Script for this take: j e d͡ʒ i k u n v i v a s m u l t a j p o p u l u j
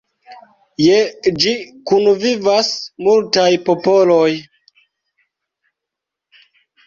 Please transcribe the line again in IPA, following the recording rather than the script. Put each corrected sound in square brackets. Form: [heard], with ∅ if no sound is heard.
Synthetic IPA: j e d͡ʒ i k u n v i v a s m u l t a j p o p [o] l [o] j